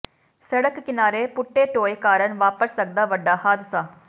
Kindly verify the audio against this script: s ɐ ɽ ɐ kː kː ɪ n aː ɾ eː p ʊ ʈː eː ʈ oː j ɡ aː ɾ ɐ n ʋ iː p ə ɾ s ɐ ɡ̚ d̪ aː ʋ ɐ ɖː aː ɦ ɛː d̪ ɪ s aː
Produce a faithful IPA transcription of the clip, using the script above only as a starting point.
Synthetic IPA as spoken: s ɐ ɽ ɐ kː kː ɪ n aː ɾ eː p ʊ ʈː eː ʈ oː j k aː ɾ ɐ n ʋ aː p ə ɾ s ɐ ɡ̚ d̪ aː ʋ ɐ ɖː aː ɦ aː d̪ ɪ s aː